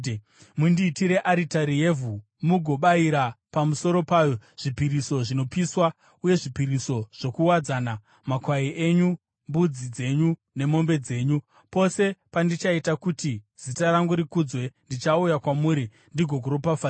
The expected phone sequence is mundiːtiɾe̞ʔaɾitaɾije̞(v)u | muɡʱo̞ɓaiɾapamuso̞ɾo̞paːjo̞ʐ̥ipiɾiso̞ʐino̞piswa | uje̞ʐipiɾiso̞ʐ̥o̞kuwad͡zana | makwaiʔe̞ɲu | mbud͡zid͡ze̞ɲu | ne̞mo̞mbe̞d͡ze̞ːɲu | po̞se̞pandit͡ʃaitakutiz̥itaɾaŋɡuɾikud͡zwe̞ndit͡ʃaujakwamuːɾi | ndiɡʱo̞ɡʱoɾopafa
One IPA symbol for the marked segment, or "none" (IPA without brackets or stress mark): v